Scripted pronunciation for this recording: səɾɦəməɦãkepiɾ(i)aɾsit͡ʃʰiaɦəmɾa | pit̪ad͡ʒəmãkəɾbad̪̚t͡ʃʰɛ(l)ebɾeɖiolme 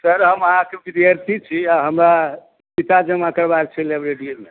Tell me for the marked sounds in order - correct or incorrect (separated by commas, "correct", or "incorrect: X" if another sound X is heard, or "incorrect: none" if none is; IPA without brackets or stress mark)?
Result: correct, correct